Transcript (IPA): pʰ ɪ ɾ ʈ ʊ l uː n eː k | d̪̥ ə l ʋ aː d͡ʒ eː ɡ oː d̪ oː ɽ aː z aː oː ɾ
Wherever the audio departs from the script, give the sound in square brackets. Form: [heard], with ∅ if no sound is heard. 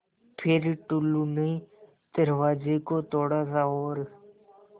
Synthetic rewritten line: pʰ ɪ ɾ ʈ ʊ l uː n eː [∅] | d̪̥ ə [ɾ] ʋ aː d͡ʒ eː [k] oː [t̪] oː ɽ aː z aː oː ɾ